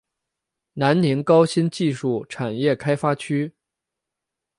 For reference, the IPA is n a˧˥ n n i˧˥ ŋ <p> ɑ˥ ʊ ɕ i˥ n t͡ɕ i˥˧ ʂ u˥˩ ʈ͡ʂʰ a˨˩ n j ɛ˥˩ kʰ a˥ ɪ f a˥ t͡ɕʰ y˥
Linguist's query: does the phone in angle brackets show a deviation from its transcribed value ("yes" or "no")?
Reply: yes